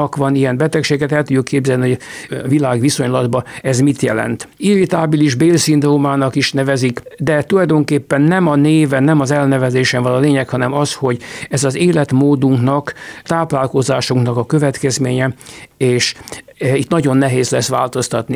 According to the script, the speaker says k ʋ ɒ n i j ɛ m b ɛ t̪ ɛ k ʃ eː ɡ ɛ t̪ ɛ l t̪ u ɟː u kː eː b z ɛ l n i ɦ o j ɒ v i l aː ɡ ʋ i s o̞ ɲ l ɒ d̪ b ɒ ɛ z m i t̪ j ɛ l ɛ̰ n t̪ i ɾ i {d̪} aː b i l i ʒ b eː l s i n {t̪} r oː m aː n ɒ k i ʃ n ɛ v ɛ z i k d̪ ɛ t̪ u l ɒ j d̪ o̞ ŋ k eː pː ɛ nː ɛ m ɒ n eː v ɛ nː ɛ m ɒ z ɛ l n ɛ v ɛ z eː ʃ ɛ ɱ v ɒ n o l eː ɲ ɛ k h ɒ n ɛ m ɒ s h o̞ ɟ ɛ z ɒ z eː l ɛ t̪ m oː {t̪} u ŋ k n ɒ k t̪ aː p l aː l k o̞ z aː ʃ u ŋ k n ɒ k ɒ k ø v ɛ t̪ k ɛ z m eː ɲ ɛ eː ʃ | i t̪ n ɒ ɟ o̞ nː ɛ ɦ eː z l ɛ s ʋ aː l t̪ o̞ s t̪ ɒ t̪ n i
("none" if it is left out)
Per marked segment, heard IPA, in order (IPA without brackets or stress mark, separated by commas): t̪, d̪, d̪